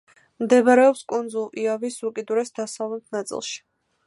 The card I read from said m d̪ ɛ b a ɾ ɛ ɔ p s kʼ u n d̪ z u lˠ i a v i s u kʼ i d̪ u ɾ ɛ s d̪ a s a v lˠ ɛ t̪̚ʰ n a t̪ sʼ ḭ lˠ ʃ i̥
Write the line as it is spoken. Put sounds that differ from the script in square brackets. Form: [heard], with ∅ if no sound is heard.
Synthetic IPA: m d̪ ɛ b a ɾ ɛ ɔ p s kʼ u n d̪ z u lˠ i a v i s u kʼ i d̪ u ɾ ɛ s d̪ a s a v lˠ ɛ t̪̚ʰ n a t̪ sʼ ḭ lˠ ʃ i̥